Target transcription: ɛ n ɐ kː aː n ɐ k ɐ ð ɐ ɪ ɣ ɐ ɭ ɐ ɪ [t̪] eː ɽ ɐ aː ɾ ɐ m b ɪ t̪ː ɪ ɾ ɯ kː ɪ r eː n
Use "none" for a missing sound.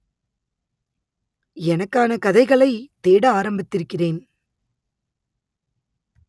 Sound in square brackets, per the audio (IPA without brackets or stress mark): t̪